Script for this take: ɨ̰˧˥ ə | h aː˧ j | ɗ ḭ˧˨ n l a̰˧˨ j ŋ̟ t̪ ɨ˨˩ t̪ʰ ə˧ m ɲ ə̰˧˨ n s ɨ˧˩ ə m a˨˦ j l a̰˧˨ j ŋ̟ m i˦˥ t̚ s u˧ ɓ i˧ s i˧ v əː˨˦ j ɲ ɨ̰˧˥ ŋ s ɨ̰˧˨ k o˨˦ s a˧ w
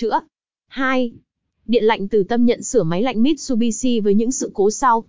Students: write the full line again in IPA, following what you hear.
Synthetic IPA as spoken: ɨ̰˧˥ ə | h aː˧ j | ɗ ḭ˧˨ n l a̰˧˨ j ŋ̟ t̪ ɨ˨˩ t̪ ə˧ m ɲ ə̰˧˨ n s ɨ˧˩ ə m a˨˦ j l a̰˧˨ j ŋ̟ m i˦˥ t̚ s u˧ ɓ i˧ s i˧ v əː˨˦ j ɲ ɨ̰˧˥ ŋ s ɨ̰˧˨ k o˨˦ s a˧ w